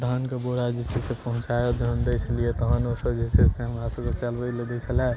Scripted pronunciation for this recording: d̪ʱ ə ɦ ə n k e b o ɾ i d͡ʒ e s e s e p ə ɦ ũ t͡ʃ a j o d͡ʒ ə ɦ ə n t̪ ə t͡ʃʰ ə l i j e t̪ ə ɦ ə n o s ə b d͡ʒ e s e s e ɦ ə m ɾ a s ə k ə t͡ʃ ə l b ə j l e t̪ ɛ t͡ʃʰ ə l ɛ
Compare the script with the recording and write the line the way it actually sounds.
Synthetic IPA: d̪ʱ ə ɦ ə n k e b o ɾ a d͡ʒ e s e s e p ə ɦ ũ t͡ʃ a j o d͡ʒ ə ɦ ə n d̪ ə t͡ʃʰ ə l i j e t̪ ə ɦ ə n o s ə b d͡ʒ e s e s e ɦ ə m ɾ a s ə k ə t͡ʃ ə l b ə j l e d̪ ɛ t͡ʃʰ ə l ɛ